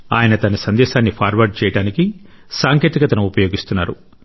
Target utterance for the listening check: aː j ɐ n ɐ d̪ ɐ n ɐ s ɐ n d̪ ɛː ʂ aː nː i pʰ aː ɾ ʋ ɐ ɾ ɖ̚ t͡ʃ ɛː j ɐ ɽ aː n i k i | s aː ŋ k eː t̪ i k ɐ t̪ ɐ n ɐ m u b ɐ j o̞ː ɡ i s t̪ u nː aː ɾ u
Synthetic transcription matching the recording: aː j ɐ n ɐ t̪ ɐ n ɐ s ɐ n d̪ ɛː ʃ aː nː i pʰ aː ɾ ʋ ɐ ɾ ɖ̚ t͡ʃ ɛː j ɐ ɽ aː n i k i | s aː ŋ k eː t̪ i k ɐ t̪ ɐ n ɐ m u p ɐ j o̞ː ɡ i s t̪ u nː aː ɾ u